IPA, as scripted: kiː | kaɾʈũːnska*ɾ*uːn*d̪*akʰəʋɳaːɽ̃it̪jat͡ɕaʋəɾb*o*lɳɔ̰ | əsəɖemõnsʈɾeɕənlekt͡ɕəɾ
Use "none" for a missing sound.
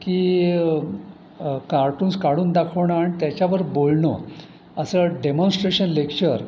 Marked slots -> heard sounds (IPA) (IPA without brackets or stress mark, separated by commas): ɽ, d̪, o